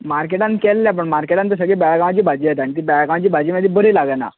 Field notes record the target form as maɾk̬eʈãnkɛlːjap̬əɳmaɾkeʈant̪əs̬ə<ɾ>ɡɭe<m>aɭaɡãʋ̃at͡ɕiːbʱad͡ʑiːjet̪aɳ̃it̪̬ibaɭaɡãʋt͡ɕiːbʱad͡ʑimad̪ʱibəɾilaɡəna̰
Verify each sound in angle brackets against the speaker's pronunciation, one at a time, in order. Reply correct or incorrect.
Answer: incorrect: none, incorrect: b

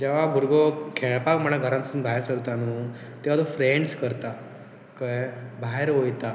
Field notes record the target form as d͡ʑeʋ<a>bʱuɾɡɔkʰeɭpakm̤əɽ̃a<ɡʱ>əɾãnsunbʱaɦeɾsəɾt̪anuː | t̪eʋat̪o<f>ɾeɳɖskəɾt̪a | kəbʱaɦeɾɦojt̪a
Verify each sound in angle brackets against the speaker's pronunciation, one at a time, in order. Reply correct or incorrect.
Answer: correct, correct, correct

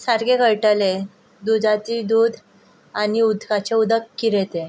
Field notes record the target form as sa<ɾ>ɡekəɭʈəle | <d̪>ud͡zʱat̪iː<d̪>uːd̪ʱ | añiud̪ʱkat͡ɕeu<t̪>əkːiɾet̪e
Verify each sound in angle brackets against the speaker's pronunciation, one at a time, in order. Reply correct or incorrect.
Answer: correct, correct, correct, incorrect: d̪

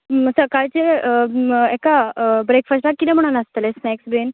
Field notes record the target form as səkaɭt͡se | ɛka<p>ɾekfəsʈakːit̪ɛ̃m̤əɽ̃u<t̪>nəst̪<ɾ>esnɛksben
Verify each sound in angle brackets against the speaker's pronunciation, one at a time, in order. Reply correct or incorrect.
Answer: incorrect: b, incorrect: none, incorrect: l

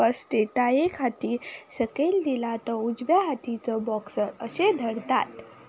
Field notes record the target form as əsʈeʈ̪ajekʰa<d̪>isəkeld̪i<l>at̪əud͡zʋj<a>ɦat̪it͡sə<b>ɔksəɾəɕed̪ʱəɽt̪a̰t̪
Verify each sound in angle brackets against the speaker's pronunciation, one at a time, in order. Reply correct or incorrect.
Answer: incorrect: t̪, correct, correct, correct

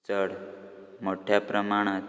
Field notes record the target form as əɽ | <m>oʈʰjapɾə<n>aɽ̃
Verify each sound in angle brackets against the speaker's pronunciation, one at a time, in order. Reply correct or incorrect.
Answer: correct, incorrect: m

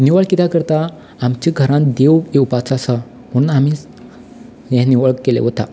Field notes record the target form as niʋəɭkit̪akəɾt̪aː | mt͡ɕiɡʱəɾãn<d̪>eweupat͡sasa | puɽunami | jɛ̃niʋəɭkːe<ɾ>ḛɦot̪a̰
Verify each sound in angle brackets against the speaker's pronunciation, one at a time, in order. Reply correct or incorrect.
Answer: correct, incorrect: l

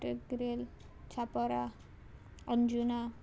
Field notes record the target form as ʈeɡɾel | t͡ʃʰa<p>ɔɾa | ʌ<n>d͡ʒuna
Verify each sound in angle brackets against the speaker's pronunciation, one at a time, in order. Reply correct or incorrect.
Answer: correct, correct

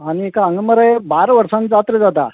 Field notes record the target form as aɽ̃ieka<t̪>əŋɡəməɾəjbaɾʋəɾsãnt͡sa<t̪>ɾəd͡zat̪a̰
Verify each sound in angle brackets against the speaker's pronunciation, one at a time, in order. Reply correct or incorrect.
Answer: incorrect: none, correct

